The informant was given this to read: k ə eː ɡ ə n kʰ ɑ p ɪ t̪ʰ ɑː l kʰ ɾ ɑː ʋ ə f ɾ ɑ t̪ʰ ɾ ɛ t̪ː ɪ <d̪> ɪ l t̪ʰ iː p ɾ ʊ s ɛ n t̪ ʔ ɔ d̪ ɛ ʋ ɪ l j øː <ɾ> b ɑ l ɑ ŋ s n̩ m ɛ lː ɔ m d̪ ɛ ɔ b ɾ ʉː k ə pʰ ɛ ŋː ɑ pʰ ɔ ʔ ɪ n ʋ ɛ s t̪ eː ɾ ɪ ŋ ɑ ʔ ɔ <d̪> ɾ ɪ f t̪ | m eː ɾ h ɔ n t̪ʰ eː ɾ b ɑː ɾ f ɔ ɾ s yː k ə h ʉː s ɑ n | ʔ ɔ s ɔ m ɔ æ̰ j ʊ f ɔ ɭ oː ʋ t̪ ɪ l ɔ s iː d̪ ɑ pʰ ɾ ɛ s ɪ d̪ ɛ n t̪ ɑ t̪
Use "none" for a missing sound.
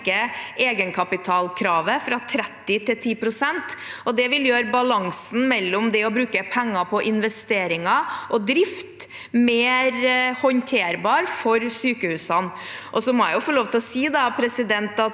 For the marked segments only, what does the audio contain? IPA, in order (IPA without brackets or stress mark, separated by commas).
t̪, ɾ, d̪